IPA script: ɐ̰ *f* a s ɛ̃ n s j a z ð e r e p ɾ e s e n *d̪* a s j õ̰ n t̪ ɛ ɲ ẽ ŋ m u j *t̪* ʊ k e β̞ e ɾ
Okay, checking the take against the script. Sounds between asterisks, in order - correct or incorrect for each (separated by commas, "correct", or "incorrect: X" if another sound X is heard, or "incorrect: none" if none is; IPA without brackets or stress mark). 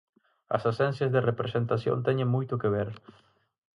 incorrect: s, incorrect: t̪, correct